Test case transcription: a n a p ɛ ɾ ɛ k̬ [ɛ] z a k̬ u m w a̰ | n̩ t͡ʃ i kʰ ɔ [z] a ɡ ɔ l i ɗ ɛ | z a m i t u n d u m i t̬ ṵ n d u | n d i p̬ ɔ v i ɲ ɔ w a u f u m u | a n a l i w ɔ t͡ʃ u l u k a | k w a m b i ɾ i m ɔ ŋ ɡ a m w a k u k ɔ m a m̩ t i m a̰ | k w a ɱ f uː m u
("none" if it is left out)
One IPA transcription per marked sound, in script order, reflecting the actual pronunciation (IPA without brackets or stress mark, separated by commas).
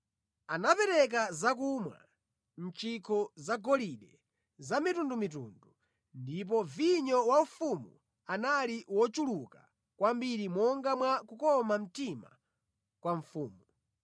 a, z